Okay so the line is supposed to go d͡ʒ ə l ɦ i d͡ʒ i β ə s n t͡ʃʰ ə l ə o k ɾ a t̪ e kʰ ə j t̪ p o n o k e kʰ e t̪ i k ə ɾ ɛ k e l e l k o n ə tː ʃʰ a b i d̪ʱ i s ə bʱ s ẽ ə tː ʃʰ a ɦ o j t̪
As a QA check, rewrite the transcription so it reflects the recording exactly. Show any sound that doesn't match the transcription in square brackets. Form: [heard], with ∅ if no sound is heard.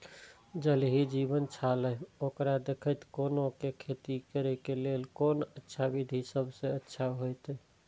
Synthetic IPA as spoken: d͡ʒ ə l ɦ i d͡ʒ i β ə [∅] n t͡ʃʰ [a] l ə o k ɾ a [d̪] e kʰ ə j t̪ [k] o n o k e kʰ e t̪ i k ə ɾ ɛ k e l e l k o n ə tː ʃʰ a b i d̪ʱ i s ə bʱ s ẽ ə tː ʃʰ a ɦ o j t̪